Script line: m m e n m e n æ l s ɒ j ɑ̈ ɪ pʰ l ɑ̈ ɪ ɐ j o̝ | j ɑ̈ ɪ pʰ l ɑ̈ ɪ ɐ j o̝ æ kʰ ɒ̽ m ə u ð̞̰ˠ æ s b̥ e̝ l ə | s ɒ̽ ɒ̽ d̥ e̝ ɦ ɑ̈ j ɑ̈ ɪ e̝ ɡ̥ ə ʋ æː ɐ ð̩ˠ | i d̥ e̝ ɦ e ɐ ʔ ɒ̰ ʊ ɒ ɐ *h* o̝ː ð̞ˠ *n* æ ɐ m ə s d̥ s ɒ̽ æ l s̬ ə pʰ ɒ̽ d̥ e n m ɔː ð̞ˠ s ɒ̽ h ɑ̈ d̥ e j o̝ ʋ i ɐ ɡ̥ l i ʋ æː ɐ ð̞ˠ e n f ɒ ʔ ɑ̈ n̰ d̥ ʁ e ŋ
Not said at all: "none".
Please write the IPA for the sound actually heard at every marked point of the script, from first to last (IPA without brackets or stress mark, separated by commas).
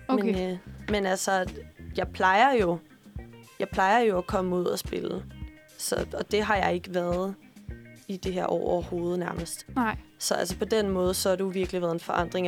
h, n